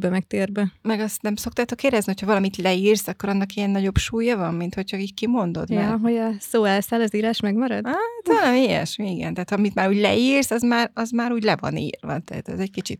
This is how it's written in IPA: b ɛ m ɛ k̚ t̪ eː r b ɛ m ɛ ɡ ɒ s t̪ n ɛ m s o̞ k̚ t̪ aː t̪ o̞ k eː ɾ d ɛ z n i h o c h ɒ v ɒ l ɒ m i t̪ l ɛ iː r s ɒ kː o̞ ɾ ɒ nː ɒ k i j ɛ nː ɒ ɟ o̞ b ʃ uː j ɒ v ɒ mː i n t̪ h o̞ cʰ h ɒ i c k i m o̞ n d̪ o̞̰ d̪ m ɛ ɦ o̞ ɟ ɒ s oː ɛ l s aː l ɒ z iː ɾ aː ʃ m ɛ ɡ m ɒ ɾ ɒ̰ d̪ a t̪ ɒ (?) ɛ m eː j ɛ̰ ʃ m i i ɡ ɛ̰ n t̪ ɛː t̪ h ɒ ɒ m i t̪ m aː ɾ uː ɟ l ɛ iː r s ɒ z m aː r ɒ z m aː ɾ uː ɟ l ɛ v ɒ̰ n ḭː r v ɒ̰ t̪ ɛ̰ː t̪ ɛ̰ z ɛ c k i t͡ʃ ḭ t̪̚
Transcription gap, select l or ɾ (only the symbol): l